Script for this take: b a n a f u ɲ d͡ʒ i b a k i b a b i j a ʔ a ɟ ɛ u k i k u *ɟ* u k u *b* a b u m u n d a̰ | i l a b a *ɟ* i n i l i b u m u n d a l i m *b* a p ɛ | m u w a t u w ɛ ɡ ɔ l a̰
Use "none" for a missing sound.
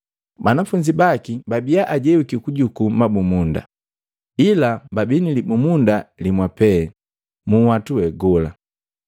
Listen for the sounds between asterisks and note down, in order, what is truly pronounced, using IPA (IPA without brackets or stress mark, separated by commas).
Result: ɟ, m, b, w